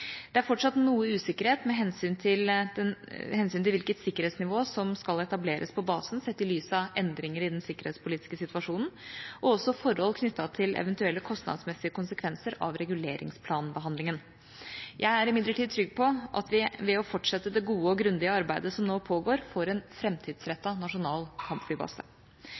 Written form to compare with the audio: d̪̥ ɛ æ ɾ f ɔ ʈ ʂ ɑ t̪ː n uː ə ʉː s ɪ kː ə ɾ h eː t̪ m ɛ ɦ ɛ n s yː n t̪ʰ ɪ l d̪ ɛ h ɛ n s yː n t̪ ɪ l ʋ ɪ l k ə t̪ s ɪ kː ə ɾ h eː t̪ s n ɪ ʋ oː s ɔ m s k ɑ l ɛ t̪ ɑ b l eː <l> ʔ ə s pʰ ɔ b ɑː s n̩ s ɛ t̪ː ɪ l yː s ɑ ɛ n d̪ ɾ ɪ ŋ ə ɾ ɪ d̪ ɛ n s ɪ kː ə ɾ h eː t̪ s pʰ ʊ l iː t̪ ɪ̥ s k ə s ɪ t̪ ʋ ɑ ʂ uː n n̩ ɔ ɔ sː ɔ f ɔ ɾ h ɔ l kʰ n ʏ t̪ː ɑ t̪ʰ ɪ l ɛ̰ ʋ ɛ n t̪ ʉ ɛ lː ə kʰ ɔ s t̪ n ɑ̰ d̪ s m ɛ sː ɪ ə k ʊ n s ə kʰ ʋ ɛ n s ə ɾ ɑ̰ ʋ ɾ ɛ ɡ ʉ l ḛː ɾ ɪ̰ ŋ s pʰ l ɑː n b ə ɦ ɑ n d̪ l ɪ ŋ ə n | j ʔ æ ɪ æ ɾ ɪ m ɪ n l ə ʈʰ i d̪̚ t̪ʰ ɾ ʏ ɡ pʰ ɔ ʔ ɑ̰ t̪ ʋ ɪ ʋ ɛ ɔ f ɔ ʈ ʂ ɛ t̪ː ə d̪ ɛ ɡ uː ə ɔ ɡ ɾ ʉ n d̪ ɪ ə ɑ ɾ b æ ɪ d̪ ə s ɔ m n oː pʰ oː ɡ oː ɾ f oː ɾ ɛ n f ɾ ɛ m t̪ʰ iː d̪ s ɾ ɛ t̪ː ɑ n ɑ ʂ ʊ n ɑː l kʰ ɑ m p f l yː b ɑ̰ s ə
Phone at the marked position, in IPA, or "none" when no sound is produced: ɾ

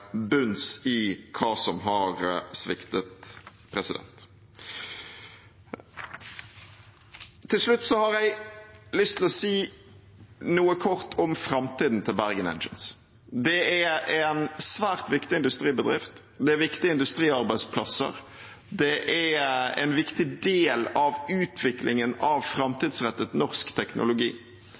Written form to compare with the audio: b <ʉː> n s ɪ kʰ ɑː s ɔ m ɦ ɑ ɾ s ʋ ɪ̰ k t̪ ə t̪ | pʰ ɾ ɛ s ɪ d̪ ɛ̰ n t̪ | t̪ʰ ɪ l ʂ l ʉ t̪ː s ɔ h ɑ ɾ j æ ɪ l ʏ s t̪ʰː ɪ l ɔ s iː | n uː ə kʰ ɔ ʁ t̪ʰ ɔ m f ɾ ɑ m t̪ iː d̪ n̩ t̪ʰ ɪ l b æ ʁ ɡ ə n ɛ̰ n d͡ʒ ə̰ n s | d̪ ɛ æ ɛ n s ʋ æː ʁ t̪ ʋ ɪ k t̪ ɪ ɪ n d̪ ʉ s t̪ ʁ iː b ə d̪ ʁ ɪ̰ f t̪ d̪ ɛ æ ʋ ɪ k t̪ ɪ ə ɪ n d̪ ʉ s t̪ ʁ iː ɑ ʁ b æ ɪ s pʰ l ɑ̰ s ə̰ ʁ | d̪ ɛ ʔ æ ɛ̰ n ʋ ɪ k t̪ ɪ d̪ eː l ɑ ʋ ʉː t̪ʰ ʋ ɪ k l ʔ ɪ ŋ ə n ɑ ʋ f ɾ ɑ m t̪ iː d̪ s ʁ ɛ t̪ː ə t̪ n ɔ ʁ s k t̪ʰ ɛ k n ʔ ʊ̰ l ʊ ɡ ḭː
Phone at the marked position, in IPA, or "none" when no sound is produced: ʉ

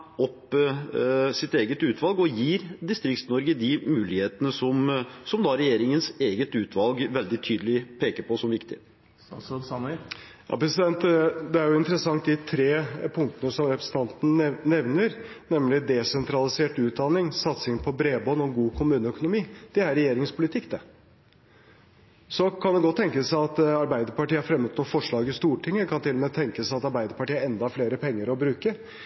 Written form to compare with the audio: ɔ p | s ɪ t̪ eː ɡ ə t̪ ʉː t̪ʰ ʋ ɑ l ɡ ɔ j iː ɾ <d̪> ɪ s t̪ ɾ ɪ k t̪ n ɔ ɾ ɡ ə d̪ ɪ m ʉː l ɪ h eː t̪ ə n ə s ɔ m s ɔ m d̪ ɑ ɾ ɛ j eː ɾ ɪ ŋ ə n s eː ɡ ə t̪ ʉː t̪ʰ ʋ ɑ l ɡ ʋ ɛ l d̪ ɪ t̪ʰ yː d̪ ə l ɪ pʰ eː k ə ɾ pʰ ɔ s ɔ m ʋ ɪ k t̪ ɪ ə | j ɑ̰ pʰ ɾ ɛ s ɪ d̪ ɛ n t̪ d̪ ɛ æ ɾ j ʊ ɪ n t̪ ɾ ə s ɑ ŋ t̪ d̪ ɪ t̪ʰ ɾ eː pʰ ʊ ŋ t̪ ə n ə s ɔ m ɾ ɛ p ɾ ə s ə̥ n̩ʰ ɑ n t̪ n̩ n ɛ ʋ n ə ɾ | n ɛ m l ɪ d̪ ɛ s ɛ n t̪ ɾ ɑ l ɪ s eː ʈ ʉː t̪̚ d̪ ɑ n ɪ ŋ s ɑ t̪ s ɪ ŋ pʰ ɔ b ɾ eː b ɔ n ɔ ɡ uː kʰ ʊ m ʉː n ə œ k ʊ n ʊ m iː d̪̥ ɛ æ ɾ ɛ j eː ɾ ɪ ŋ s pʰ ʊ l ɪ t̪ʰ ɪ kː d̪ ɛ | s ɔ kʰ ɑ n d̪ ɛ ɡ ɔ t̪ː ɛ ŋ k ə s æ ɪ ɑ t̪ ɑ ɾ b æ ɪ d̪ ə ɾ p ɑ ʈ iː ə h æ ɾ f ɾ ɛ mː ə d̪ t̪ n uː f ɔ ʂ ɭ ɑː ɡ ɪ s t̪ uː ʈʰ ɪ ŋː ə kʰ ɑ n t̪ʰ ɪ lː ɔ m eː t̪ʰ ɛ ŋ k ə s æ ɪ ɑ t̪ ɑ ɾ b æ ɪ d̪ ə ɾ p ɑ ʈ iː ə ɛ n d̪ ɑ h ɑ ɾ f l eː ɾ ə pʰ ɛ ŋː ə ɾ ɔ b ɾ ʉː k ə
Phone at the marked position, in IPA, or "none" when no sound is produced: d̪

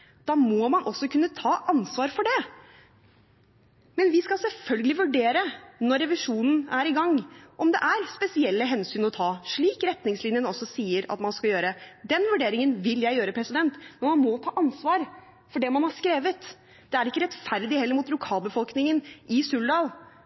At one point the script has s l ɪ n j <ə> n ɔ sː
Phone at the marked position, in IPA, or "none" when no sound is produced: ə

